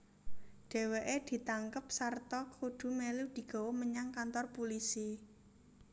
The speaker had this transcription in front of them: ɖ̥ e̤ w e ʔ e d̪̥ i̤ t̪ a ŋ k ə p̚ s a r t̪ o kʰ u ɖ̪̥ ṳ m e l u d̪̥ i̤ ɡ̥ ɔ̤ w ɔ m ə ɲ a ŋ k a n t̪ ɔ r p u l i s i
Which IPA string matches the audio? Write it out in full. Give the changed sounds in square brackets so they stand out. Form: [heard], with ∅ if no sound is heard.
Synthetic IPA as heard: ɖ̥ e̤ w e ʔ e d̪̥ i̤ t̪ a ŋ k ə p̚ s a r t̪ [ɔ] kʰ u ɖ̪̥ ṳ m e l u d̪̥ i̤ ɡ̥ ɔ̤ w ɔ m ə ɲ a ŋ k a n t̪ ɔ r p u l i s i